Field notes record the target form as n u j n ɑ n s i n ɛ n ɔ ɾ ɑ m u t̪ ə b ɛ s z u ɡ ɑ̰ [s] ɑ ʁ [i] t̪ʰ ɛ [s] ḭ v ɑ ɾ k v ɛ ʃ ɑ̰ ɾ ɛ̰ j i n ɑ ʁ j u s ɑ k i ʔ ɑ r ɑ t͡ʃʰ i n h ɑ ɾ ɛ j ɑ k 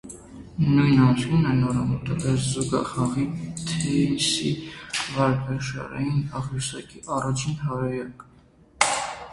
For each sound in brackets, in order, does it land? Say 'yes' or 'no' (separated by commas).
no, yes, yes